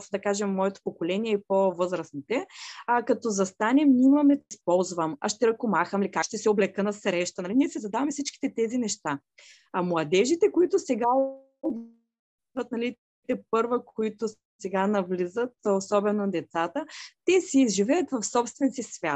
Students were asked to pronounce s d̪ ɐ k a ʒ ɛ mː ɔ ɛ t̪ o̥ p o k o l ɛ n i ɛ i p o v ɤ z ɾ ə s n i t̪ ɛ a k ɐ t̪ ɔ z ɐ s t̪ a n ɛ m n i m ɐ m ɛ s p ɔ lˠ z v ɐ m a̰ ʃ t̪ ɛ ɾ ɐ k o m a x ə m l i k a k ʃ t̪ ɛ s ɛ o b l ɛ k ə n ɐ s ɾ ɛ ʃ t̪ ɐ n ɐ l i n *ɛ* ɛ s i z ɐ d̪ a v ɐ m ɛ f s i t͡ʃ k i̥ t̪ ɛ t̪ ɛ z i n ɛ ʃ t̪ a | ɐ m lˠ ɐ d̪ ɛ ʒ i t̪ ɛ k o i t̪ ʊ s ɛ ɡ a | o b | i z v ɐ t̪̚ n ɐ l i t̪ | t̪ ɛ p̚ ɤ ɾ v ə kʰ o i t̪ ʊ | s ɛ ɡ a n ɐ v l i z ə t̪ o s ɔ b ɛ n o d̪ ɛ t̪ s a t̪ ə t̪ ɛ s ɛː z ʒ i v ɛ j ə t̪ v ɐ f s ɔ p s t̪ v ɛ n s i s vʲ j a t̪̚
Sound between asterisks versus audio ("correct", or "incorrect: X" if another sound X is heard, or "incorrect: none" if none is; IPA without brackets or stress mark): incorrect: i